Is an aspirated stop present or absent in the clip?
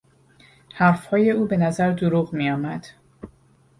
absent